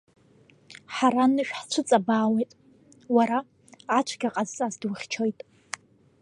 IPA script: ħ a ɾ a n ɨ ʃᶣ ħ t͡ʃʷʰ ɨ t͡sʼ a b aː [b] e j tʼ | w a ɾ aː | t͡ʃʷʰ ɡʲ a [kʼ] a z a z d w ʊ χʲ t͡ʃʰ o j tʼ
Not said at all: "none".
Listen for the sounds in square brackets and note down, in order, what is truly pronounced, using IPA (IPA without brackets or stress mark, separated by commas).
w, qʼ